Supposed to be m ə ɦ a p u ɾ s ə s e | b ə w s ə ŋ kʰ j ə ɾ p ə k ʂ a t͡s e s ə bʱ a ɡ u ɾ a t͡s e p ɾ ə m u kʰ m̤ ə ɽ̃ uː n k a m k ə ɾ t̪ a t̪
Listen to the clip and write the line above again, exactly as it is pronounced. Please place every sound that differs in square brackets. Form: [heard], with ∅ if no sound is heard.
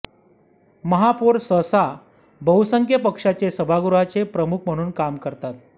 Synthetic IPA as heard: m ə ɦ a p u ɾ s ə s [a] | b ə w s ə ŋ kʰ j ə [∅] p ə k ʂ a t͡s e s ə bʱ a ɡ u ɾ a t͡s e p ɾ ə m u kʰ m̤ ə ɽ̃ uː n k a m k ə ɾ t̪ a t̪